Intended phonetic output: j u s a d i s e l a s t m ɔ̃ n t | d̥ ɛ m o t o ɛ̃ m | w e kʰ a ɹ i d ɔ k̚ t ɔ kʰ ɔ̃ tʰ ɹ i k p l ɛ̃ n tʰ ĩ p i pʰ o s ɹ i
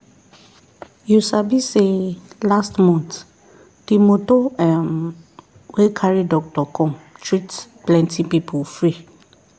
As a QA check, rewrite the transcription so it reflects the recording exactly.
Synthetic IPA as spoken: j u s a b i s e l a s t m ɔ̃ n t | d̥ i m o t o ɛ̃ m | w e kʰ a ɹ i d ɔ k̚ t ɔ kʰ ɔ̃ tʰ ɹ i t p l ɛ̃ n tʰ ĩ p i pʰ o f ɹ i